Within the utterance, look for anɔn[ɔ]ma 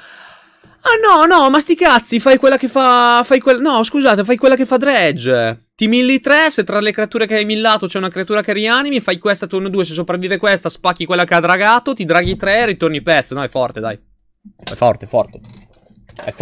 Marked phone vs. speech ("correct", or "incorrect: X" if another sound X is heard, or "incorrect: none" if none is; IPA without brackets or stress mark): correct